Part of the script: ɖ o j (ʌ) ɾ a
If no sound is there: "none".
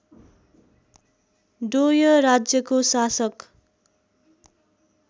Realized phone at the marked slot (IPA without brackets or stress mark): ʌ